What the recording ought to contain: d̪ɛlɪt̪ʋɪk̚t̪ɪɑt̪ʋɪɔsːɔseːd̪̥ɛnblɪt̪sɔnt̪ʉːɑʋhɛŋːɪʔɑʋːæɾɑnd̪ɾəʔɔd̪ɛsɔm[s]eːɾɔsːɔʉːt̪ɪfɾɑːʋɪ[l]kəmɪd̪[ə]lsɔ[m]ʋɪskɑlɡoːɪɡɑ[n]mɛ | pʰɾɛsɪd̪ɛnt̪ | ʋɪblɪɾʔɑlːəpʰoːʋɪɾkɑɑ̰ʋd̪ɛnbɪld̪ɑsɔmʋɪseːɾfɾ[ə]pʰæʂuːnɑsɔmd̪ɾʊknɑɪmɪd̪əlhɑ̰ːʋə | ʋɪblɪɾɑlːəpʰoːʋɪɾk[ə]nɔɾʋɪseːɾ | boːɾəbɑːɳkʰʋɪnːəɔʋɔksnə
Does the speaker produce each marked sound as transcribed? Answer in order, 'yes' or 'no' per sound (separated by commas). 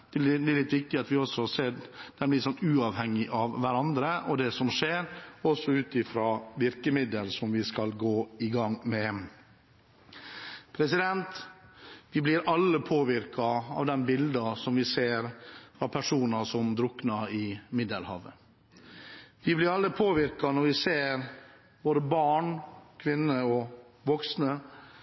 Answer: no, no, yes, yes, no, no, no